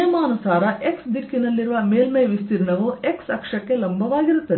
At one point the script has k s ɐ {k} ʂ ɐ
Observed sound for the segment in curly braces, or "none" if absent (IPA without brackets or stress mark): k